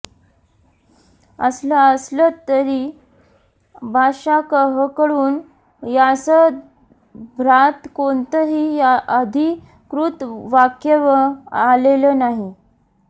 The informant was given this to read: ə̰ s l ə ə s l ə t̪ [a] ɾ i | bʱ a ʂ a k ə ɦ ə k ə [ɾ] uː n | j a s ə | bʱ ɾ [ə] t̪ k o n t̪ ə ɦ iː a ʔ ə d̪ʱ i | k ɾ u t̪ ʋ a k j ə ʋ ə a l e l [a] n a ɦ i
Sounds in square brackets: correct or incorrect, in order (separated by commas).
incorrect, incorrect, incorrect, incorrect